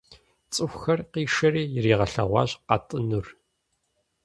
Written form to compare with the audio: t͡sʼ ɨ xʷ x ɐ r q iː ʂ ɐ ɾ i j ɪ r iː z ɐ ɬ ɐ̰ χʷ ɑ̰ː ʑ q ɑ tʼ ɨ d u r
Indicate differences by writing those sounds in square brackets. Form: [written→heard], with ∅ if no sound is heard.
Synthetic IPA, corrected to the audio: t͡sʼ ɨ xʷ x ɐ r q iː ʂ ɐ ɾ [i→iː] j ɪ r iː [z→ʁ] ɐ ɬ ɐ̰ [χʷ→ʁʷ] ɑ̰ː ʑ q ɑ tʼ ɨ [d→n] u r